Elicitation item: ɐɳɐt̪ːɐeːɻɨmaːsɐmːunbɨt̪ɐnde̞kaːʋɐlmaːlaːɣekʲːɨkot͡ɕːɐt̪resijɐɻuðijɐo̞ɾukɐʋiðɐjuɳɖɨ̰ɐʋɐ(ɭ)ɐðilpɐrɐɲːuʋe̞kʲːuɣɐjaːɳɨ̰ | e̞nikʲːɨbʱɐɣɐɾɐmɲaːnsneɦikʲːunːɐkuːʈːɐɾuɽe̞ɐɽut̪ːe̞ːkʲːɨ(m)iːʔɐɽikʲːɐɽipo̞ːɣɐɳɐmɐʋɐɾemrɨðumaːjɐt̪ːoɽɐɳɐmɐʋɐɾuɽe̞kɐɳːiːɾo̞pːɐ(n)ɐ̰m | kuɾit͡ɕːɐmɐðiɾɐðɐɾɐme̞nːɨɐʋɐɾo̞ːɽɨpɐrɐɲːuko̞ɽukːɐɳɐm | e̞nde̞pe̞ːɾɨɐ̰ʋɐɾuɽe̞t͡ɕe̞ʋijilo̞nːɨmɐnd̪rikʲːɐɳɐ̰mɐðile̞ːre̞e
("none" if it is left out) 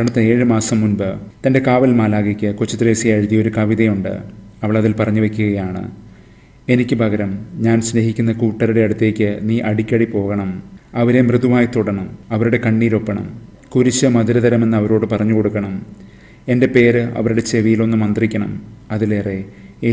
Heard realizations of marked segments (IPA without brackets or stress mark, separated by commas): ɭ, n, ɳ